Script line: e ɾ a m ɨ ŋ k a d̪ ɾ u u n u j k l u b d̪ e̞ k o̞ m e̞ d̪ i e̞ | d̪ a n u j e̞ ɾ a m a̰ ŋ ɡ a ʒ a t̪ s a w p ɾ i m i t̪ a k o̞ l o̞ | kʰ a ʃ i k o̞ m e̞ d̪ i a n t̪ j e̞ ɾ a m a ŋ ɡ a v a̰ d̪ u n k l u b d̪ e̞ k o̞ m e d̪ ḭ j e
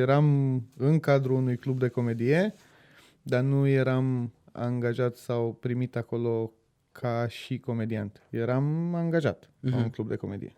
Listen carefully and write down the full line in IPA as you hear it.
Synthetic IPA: e ɾ a m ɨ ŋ k a d̪ ɾ u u n u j k l u b d̪ e̞ k o̞ m e̞ d̪ i e̞ | d̪ a n u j e̞ ɾ a m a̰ ŋ ɡ a ʒ a t̪ s a w p ɾ i m i t̪ a k o̞ l o̞ | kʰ a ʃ i k o̞ m e̞ d̪ i a n t̪ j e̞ ɾ a m a ŋ ɡ a ʒ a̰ t̪ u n k l u b d̪ e̞ k o̞ m e d̪ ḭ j e